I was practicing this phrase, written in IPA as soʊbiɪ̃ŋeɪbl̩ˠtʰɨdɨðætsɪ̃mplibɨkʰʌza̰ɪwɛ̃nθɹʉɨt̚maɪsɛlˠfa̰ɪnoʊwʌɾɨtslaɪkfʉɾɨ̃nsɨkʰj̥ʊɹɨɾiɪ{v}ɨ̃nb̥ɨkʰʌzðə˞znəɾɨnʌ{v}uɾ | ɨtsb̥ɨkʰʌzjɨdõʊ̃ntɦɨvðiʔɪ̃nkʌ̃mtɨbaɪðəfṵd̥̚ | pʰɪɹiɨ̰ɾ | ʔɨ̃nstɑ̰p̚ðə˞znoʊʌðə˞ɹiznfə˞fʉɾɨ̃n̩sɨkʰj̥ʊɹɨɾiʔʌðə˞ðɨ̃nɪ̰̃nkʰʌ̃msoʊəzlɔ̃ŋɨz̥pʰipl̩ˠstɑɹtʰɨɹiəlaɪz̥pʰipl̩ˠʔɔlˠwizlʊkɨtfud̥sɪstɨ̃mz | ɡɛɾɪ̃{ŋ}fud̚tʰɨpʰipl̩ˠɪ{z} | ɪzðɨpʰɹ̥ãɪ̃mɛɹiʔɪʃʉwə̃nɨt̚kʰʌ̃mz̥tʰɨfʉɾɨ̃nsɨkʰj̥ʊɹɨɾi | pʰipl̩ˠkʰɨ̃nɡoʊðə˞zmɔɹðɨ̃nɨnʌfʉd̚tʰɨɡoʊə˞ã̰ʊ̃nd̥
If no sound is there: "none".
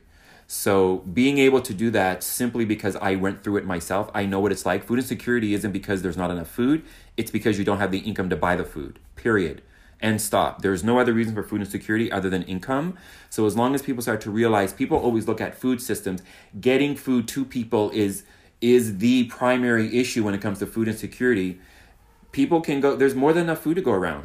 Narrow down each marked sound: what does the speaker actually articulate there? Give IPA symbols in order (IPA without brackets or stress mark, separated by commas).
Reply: z, f, ŋ, z